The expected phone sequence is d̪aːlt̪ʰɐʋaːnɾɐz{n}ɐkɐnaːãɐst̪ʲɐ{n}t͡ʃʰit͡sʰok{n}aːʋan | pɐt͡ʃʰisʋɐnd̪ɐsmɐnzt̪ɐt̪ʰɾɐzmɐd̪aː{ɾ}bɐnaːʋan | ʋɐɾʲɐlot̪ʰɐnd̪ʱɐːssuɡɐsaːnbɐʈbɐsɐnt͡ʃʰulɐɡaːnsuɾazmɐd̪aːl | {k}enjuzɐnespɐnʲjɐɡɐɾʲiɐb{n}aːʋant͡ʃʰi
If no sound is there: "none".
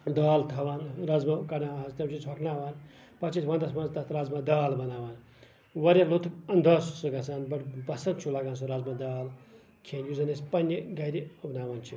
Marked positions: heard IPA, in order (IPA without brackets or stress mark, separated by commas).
m, m, n, l, kʰ, n